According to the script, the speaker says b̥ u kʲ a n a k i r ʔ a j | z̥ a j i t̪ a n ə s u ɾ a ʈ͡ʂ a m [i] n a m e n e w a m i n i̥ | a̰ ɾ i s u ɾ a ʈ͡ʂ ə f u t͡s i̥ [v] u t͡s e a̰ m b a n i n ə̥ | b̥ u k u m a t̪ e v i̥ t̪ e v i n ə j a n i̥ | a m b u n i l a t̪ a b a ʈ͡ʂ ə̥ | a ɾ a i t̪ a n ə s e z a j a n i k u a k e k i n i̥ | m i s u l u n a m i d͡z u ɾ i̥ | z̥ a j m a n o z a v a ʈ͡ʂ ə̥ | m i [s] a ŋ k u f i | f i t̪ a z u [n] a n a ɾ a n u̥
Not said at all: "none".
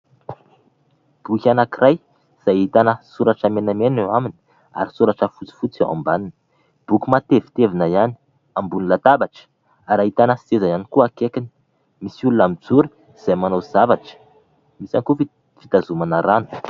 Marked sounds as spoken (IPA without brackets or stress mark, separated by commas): e, f, s, m